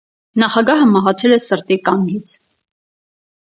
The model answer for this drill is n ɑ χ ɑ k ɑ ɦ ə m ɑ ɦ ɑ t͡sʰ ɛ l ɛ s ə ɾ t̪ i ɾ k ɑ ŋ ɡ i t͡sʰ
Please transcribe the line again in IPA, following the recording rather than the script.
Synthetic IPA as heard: n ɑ χ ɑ ɡ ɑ ɦ ə m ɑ ɦ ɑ t͡sʰ ɛ l ɛ s ə ɾ t̪ i k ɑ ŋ ɡ i t͡sʰ